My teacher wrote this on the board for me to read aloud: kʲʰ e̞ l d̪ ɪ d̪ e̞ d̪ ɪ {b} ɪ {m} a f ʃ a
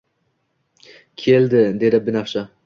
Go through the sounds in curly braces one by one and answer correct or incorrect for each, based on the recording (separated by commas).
correct, incorrect